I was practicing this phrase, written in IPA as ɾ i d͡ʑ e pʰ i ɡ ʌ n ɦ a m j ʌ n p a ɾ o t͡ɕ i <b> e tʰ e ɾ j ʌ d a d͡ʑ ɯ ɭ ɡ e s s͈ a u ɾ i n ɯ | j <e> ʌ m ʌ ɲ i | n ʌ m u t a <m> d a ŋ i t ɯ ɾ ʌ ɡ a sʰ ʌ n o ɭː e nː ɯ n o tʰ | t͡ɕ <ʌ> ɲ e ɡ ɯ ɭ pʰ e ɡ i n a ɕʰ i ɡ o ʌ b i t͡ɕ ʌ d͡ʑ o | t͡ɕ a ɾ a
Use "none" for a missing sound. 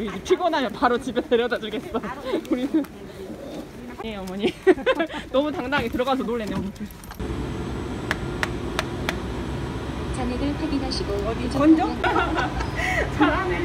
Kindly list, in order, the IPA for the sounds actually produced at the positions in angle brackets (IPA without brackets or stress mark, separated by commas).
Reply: b, e, ŋ, a